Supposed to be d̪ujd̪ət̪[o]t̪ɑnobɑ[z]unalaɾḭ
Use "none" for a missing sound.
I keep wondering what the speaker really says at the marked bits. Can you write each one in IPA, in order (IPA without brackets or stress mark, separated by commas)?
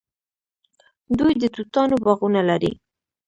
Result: u, ɣ